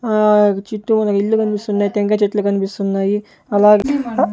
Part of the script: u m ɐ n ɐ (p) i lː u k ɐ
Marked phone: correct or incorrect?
incorrect